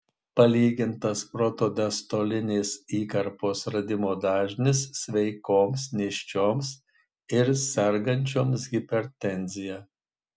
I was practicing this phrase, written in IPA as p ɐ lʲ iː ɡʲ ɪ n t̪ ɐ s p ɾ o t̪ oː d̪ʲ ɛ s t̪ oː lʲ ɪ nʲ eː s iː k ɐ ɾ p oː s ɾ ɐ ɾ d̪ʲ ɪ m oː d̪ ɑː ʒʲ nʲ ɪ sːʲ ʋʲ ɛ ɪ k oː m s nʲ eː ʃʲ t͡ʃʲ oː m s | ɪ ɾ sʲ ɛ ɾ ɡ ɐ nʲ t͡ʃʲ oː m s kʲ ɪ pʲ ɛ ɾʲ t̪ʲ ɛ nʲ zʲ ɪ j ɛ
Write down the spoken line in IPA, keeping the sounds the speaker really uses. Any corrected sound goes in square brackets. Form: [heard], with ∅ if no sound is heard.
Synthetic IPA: p ɐ lʲ iː ɡʲ ɪ n t̪ ɐ s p ɾ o t̪ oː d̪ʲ ɛ s t̪ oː lʲ ɪ nʲ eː s iː k ɐ ɾ p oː s ɾ ɐ [∅] d̪ʲ ɪ m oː d̪ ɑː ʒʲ nʲ ɪ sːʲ ʋʲ ɛ ɪ k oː m s nʲ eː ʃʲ t͡ʃʲ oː m s | ɪ ɾ sʲ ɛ ɾ ɡ ɐ nʲ t͡ʃʲ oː m s [ɡʲ] ɪ pʲ ɛ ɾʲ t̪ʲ ɛ nʲ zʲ ɪ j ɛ

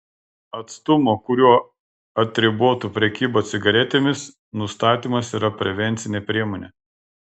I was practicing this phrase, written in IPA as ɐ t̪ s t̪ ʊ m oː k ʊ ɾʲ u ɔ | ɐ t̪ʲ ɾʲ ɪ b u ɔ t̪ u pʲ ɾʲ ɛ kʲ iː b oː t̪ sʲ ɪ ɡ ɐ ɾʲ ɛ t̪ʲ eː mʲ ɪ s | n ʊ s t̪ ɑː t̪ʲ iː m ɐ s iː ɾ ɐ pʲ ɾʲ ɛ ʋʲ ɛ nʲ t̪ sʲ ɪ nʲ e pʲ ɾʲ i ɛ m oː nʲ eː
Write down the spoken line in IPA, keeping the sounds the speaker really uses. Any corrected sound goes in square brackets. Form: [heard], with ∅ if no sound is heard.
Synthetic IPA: ɐ t̪ s t̪ ʊ m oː k ʊ ɾʲ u ɔ | ɐ t̪ʲ ɾʲ ɪ b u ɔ t̪ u pʲ ɾʲ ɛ kʲ iː b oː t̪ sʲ ɪ ɡ ɐ ɾʲ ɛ t̪ʲ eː mʲ ɪ s | n ʊ s t̪ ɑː t̪ʲ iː m ɐ s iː ɾ ɐ pʲ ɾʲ ɛ ʋʲ ɛ nʲ t̪ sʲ ɪ nʲ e pʲ ɾʲ i ɛ m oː nʲ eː

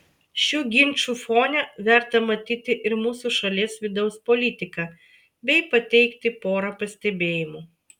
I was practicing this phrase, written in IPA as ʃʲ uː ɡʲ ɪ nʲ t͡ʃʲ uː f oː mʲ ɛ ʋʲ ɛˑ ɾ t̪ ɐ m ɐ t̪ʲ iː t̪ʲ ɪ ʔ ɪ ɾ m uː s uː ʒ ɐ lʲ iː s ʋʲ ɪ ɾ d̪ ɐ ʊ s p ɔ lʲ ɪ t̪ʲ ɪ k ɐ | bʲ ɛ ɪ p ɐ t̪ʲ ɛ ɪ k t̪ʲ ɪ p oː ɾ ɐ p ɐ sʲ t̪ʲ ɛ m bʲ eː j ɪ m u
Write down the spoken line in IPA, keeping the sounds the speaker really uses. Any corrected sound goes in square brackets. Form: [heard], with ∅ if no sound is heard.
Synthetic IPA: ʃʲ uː ɡʲ ɪ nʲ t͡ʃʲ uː f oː [nʲ] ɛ ʋʲ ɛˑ ɾ t̪ ɐ m ɐ t̪ʲ iː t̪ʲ ɪ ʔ ɪ ɾ m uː s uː [ʃ] ɐ lʲ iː s ʋʲ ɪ [∅] d̪ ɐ ʊ s p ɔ lʲ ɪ t̪ʲ ɪ k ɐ | bʲ ɛ ɪ p ɐ t̪ʲ ɛ ɪ k t̪ʲ ɪ p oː ɾ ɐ p ɐ sʲ t̪ʲ ɛ [∅] bʲ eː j ɪ m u

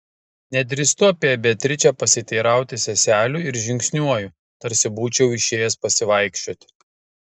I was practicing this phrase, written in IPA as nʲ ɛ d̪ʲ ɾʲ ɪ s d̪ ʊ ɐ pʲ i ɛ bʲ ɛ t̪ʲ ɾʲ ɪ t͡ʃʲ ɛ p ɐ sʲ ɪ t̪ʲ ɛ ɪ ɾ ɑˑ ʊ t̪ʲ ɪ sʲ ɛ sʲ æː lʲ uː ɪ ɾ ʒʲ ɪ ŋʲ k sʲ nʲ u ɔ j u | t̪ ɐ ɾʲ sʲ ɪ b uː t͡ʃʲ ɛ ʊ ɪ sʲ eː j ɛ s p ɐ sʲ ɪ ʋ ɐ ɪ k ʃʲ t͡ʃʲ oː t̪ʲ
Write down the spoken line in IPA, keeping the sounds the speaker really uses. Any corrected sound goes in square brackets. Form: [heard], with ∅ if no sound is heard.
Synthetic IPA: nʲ ɛ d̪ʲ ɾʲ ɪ s [t̪] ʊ ɐ pʲ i ɛ bʲ ɛ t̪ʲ ɾʲ ɪ t͡ʃʲ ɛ p ɐ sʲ ɪ t̪ʲ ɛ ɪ ɾ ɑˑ ʊ t̪ʲ ɪ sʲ ɛ sʲ æː lʲ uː ɪ ɾ ʒʲ ɪ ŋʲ k sʲ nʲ u ɔ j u | t̪ ɐ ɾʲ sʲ ɪ b uː t͡ʃʲ ɛ ʊ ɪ [ʃʲ] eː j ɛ s p ɐ sʲ ɪ ʋ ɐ ɪ k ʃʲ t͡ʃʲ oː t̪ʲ

